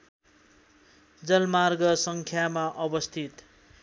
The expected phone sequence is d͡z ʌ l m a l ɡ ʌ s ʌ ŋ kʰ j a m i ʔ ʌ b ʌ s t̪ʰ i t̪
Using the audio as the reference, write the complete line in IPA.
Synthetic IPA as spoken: d͡z ʌ l m a r ɡ ʌ s ʌ ŋ kʰ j a m a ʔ ʌ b ʌ s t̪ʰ i t̪

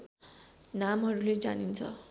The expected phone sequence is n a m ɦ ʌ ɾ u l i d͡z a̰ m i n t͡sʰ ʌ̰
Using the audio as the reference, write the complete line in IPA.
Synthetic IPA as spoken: n a m ɦ ʌ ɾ u l e d͡z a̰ n i n t͡sʰ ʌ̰

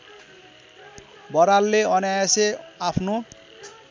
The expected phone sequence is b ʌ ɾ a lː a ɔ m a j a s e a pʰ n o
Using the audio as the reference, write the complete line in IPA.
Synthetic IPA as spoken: b ɔ ɾ a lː e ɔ n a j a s e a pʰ n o

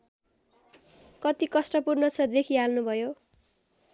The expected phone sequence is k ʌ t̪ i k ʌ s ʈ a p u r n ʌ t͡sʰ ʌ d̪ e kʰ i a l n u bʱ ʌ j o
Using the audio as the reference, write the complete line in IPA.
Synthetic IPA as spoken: k ʌ t̪ i k ʌ s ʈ ʌ p u r n ʌ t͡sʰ ʌ d̪ e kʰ i a l n u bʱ ʌ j o

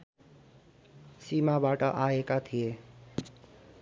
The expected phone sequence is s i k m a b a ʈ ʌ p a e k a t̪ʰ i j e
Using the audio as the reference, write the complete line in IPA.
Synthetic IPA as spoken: s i m a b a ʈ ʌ ʔ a e k a t̪ʰ i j e

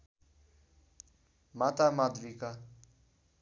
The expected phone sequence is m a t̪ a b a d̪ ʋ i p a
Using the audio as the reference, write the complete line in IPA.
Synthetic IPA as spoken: m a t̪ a m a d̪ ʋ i k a

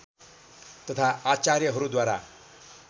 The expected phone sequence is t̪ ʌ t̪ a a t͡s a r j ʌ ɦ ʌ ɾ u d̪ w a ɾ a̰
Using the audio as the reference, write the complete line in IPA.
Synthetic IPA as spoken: t̪ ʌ t̪ʰ a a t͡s a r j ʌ ɦ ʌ ɾ u d̪ w a ɾ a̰

